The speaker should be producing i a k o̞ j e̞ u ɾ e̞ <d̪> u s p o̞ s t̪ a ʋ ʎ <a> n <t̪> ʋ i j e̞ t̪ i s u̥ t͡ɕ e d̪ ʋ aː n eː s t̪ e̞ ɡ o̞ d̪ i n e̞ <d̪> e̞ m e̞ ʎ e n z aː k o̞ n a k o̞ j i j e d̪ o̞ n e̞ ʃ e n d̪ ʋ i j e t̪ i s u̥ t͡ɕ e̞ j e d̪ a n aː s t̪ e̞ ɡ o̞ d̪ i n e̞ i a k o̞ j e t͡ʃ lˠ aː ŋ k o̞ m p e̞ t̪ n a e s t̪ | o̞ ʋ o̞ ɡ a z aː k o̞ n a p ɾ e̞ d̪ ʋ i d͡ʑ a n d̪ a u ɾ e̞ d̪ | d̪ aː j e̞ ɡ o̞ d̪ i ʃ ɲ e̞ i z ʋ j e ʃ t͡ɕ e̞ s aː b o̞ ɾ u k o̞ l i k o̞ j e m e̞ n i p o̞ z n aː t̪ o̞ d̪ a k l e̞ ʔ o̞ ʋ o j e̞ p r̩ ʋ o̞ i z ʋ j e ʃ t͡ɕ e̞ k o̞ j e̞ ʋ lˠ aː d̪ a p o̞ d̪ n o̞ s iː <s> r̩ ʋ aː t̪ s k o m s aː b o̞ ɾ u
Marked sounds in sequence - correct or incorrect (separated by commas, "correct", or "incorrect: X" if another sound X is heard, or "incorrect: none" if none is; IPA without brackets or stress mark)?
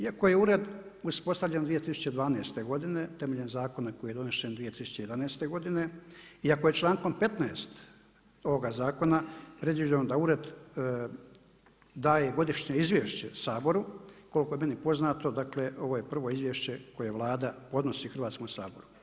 correct, incorrect: e, incorrect: d̪, incorrect: t̪, incorrect: x